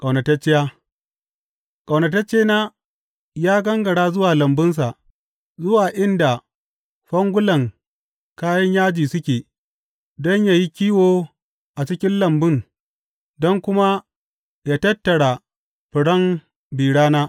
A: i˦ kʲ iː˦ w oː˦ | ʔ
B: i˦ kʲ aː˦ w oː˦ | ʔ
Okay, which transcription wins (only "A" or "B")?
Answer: A